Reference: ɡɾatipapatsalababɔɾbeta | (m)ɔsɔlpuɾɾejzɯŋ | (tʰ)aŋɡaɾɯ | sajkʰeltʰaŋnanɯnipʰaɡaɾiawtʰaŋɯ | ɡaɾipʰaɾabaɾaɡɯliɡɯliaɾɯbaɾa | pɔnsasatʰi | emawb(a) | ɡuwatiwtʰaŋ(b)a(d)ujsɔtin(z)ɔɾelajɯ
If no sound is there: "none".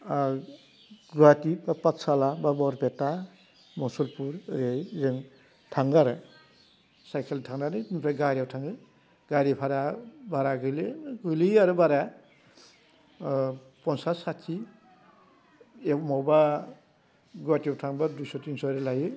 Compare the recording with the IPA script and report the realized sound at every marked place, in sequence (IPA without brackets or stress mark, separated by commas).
m, tʰ, a, b, d, s